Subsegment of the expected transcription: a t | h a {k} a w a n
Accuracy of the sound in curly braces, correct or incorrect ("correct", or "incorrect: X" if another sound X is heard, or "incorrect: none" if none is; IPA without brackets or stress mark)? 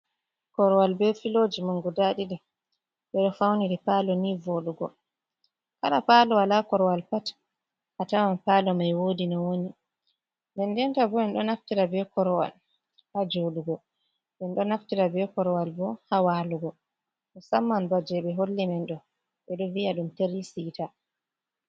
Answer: incorrect: t